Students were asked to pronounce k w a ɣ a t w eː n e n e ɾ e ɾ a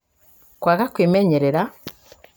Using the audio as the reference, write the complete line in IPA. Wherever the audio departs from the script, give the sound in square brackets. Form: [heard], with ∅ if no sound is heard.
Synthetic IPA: k w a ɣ a [k] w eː [m] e [ɲ] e ɾ e ɾ a